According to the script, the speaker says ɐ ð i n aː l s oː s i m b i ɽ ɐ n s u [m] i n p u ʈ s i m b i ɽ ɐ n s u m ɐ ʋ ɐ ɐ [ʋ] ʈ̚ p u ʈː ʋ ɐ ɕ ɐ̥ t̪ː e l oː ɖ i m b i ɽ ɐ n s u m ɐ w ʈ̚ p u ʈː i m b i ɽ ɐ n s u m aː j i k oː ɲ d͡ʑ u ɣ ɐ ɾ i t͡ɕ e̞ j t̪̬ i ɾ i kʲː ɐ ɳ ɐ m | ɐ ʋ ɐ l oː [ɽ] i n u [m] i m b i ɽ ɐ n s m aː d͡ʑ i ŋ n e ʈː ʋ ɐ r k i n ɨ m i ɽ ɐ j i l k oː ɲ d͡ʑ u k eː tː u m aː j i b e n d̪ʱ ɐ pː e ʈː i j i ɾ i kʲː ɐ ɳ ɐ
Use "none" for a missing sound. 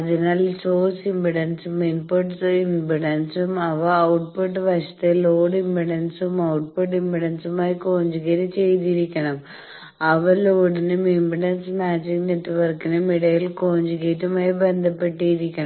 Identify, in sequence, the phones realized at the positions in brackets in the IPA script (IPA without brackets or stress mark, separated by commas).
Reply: m, w, ɽ, m